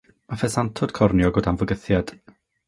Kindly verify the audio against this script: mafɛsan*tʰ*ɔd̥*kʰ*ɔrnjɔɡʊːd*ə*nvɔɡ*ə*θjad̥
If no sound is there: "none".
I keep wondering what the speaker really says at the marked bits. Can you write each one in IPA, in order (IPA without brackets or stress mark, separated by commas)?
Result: tʰ, kʰ, a, ə